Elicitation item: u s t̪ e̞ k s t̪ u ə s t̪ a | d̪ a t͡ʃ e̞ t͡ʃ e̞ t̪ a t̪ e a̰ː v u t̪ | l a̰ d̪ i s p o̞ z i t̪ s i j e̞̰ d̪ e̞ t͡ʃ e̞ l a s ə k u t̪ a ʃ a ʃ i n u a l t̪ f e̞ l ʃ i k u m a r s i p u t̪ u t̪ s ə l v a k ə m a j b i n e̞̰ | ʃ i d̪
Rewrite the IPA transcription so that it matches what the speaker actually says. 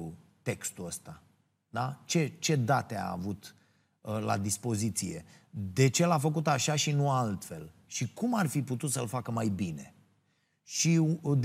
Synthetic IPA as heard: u t̪ e̞ k s t̪ u ə s t̪ a | d̪ a t͡ʃ e̞ t͡ʃ e̞ d̪ a t̪ e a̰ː v u t̪ | l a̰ d̪ i s p o̞ z i t̪ s i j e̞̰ d̪ e̞ t͡ʃ e̞ l a f ə k u t̪ a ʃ a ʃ i n u a l t̪ f e̞ l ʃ i k u m a r f i p u t̪ u t̪ s ə l f a k ə m a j b i n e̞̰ | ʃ i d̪